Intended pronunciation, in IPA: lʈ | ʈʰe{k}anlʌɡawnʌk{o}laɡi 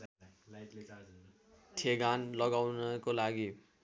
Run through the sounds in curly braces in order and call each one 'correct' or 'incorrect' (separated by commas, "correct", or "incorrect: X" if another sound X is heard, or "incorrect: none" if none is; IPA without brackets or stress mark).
incorrect: ɡ, correct